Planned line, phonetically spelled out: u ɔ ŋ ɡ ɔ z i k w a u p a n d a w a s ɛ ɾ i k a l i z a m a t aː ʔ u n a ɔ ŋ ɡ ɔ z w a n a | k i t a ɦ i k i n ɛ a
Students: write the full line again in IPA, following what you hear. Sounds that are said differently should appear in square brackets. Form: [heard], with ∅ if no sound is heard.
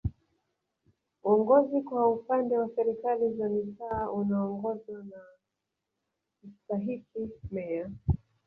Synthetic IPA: u ɔ ŋ ɡ ɔ z i k w a u p a n d [ɛ] w a s ɛ ɾ i k a l i z a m [i] t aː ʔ u n a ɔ ŋ ɡ ɔ z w a n a | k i t a ɦ i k i [m] ɛ a